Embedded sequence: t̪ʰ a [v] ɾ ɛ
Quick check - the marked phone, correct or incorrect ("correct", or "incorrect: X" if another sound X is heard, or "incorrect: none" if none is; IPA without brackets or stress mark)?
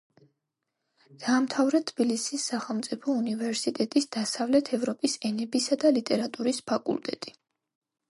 correct